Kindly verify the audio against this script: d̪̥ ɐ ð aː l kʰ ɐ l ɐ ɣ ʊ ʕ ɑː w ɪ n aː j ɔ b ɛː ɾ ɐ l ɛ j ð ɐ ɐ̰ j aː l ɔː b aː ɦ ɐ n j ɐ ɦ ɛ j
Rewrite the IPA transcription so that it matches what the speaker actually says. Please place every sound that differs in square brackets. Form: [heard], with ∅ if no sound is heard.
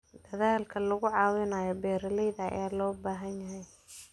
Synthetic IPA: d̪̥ ɐ ð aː l kʰ ɐ l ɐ ɣ ʊ ʕ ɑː w ɪ n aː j ɔ b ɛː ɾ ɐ l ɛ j ð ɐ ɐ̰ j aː l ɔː b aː ɦ ɐ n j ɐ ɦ ɛ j